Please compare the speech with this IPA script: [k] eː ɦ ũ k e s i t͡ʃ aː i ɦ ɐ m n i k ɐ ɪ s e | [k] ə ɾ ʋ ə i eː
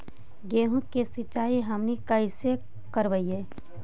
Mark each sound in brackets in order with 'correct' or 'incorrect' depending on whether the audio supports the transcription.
incorrect: ɡ, correct

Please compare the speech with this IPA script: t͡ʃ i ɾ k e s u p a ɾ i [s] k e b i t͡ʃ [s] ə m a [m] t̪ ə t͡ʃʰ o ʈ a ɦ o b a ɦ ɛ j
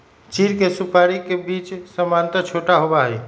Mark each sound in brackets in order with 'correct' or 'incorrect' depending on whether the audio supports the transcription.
incorrect: none, correct, incorrect: n

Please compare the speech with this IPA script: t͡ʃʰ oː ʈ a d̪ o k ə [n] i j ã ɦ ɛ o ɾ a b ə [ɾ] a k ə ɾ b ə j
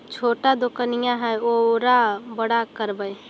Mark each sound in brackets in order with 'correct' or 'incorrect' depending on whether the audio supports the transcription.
correct, incorrect: ɽ

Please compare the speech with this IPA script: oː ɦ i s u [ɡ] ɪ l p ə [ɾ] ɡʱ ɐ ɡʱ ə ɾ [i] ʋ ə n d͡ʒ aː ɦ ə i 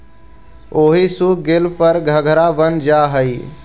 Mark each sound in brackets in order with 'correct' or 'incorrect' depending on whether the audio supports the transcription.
correct, correct, incorrect: a

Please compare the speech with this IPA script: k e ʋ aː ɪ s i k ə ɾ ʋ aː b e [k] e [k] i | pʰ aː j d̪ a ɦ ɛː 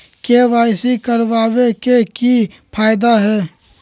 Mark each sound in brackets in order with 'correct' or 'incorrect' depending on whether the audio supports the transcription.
correct, correct

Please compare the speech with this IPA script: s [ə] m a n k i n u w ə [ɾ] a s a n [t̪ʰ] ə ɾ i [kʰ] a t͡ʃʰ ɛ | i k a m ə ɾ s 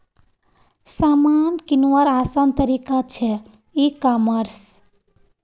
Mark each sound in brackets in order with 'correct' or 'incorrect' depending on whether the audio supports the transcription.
incorrect: a, correct, incorrect: t̪, incorrect: k

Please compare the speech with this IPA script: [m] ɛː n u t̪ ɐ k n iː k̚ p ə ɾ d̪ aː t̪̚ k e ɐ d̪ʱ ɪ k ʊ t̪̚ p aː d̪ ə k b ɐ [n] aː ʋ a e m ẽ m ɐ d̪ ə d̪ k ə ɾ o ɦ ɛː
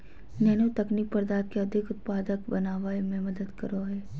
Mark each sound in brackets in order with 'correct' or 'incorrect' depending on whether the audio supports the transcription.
incorrect: n, correct

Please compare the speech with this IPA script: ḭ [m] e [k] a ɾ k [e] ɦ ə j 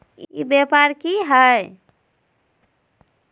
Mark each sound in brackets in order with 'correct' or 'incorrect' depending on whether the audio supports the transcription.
incorrect: b, incorrect: p, incorrect: i

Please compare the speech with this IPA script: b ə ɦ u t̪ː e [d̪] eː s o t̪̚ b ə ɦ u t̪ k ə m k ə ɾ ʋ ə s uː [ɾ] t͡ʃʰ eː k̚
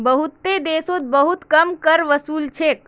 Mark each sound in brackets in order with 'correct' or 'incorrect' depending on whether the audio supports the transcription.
correct, incorrect: l

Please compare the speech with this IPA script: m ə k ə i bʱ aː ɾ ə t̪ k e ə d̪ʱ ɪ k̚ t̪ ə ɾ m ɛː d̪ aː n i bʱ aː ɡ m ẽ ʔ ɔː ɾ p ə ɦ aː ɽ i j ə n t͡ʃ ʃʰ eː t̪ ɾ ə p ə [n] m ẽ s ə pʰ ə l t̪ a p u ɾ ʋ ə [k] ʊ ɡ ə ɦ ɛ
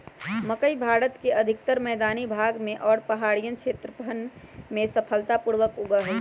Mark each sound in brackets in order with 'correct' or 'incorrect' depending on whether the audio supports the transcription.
correct, correct

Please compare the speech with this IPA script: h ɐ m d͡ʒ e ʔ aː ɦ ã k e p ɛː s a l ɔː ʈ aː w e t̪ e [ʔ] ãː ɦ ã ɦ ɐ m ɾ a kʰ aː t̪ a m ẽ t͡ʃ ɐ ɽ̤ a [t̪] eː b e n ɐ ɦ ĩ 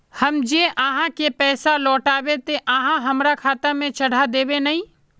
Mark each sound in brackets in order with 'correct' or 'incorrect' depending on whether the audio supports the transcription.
correct, incorrect: d̪

